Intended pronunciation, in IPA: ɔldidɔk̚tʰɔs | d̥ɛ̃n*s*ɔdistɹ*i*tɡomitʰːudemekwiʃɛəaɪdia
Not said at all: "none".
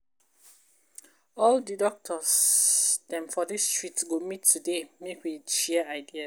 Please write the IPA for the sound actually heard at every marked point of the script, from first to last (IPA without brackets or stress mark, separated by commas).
f, i